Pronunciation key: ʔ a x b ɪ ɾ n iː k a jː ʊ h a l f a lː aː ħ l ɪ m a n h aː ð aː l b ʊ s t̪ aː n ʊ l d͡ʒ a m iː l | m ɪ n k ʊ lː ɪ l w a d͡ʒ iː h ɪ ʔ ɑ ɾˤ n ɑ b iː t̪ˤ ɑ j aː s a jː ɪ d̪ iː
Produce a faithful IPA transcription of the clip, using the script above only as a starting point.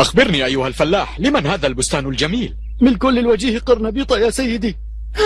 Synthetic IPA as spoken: ʔ a x b ɪ ɾ n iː ʔ a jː ʊ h a l f a lː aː ħ l ɪ m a n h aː ð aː l b ʊ s t̪ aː n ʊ l d͡ʒ a m iː l | m ɪ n k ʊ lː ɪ l w a d͡ʒ iː h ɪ q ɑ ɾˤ n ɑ b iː t̪ˤ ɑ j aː s a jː ɪ d̪ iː